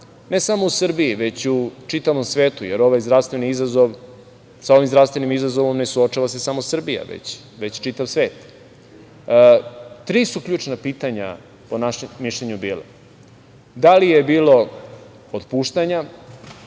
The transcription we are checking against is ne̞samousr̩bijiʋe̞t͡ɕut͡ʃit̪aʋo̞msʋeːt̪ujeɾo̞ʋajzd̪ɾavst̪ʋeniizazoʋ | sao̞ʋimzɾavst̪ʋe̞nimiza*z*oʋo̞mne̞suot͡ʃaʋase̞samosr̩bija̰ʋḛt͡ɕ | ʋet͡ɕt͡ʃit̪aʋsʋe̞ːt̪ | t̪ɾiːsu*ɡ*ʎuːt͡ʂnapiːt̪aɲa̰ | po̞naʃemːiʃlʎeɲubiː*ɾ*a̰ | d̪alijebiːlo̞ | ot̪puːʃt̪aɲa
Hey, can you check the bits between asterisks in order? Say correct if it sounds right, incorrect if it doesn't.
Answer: correct, incorrect, incorrect

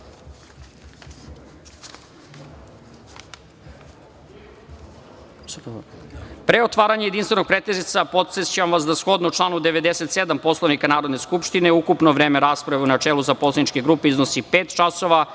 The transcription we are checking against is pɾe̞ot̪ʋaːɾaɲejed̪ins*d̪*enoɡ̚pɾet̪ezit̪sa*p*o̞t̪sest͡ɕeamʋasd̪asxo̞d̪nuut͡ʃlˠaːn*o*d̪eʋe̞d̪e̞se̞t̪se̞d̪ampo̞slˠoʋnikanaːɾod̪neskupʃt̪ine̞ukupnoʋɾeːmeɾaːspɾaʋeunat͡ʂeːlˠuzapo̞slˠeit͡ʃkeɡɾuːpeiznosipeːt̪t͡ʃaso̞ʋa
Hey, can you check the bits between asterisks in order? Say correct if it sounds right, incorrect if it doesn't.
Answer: incorrect, correct, incorrect

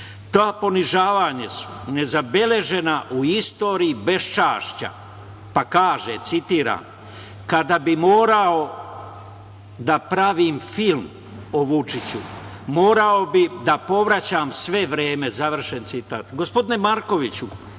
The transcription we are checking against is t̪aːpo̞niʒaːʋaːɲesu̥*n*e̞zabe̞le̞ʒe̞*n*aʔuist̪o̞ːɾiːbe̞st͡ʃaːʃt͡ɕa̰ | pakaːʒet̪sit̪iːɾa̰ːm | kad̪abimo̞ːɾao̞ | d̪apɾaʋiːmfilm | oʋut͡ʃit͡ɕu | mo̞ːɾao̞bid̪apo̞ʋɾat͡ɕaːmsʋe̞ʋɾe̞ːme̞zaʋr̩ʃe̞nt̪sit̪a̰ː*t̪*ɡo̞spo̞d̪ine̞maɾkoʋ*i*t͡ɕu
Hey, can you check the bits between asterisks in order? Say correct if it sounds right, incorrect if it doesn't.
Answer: correct, correct, correct, correct

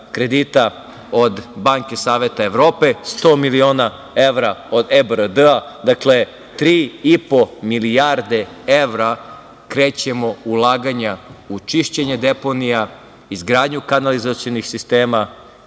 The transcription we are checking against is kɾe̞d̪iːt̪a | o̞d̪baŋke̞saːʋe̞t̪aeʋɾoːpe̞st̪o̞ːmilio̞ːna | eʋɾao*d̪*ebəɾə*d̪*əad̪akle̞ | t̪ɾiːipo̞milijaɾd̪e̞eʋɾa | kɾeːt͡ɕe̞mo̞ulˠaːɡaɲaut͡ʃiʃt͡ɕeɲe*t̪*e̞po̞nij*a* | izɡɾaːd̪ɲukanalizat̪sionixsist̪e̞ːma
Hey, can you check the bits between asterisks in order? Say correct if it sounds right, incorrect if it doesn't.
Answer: correct, correct, incorrect, correct

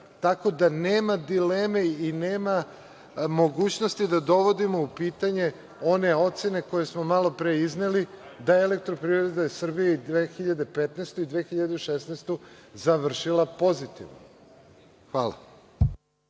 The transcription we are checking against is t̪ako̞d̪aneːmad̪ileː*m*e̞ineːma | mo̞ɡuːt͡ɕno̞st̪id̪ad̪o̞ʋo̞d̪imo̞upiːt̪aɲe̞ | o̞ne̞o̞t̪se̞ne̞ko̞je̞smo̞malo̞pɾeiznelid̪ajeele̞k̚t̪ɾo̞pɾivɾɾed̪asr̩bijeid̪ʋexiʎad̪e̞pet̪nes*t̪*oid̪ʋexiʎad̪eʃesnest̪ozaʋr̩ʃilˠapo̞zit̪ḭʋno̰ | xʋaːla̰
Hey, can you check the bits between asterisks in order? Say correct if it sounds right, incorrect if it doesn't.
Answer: correct, correct

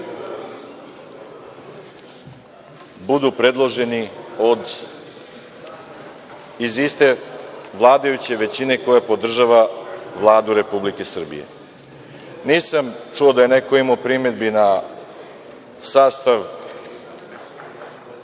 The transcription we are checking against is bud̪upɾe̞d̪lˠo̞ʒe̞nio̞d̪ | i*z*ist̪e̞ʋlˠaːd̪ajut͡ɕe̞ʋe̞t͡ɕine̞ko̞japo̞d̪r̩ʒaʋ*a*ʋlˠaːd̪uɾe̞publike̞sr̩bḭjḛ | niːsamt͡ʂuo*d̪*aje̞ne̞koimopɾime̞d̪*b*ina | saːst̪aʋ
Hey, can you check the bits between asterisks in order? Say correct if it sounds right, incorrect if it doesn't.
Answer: correct, correct, correct, correct

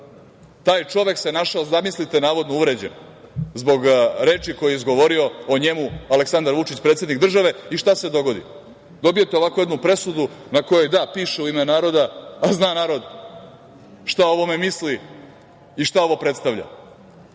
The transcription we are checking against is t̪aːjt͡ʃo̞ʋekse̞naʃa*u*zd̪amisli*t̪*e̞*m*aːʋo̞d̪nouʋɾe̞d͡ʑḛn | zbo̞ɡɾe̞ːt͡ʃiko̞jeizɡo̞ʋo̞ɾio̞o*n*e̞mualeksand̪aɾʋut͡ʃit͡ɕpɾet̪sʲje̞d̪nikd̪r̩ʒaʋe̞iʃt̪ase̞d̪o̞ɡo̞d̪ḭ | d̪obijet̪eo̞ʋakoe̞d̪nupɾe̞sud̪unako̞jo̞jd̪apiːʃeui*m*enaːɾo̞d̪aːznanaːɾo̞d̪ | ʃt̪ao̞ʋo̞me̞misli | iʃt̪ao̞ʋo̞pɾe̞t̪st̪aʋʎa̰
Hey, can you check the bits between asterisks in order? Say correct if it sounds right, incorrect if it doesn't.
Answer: incorrect, correct, incorrect, incorrect, correct

